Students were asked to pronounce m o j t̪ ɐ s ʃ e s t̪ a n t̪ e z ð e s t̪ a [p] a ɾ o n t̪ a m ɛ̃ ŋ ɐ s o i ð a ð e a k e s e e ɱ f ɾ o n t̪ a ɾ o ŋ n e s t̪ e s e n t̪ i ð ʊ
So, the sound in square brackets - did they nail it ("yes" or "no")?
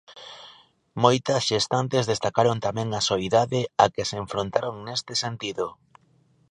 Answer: no